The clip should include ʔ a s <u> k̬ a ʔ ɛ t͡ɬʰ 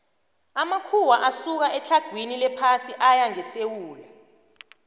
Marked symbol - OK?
yes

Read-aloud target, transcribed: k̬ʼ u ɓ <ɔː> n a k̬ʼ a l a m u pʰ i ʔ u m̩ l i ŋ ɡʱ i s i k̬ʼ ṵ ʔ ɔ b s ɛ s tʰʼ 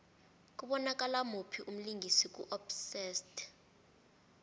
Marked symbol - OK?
no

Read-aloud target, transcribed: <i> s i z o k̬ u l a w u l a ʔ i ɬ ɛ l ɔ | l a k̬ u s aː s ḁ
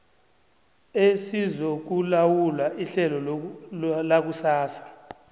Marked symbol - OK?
no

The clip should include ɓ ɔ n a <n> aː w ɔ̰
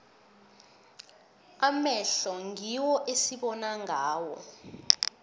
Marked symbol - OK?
no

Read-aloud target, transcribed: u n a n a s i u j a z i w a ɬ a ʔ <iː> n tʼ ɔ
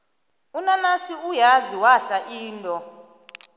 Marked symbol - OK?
yes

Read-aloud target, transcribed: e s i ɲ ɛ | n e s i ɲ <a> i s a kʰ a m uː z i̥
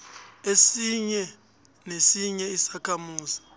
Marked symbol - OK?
no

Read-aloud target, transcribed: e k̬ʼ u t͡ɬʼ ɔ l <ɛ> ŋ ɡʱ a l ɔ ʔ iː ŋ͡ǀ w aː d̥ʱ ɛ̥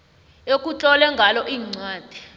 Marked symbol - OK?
yes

